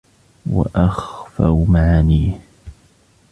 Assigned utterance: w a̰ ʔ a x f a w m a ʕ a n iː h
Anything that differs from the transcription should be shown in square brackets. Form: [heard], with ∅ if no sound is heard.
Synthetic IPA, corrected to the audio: w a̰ ʔ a x f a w m a ʕ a n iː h